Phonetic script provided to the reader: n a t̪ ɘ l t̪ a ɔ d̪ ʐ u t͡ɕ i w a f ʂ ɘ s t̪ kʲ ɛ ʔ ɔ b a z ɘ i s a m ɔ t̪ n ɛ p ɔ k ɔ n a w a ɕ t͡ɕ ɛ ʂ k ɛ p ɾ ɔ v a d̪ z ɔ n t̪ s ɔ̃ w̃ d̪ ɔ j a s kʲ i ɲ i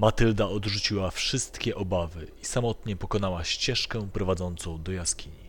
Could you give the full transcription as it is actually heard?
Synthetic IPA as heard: m a t̪ ɘ l d̪ a ɔ d̪ ʐ u t͡ɕ i w a f ʂ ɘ s t̪ kʲ ɛ ʔ ɔ b a v ɘ i s a m ɔ t̪ ɲ ɛ p ɔ k ɔ n a w a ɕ t͡ɕ ɛ ʂ k ɛ p ɾ ɔ v a d̪ z ɔ n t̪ s ɔ̃ w̃ d̪ ɔ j a s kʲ i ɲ i